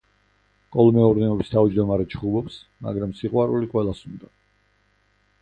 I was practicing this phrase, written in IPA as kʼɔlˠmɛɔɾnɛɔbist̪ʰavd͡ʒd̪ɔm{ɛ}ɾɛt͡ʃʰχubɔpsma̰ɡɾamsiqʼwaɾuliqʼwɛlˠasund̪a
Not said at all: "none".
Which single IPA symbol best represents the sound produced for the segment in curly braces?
a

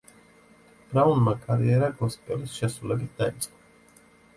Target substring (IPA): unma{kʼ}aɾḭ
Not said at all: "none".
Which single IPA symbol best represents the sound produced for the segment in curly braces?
kʼ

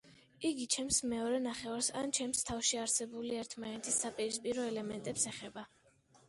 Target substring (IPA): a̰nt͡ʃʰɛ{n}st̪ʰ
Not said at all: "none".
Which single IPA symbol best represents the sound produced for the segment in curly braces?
m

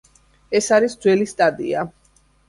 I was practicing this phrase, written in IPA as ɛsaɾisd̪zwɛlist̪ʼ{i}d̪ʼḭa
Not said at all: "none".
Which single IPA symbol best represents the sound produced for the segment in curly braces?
a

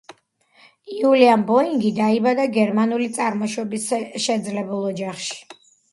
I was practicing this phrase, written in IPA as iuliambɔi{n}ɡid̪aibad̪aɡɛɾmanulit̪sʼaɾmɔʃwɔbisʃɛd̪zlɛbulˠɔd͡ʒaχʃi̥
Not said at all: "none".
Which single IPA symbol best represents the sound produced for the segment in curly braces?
ŋ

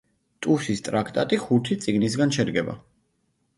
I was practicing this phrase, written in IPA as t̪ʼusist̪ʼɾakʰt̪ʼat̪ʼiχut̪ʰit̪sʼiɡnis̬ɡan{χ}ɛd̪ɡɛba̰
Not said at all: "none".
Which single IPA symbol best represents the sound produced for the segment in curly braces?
ʃ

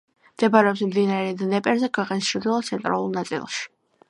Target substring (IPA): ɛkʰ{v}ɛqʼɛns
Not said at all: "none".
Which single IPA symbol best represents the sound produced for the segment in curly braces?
w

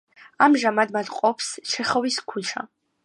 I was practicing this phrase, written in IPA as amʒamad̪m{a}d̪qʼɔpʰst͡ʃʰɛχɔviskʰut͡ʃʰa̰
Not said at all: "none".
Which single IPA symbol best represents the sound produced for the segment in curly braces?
a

